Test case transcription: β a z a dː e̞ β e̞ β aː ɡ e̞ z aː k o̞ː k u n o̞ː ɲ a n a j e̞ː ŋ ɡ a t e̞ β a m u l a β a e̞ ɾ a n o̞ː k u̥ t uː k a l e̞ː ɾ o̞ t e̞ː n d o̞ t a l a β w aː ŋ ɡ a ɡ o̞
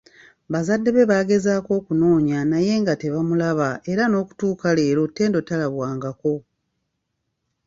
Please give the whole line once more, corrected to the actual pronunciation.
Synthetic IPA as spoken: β a z a dː e̞ β e̞ β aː ɡ e̞ z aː k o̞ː k u n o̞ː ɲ a n a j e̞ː ŋ ɡ a t e̞ β a m u l a β a e̞ ɾ a n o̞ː k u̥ t uː k a l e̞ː ɾ o̞ t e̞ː n d o̞ t a l a β w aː ŋ ɡ a k o̞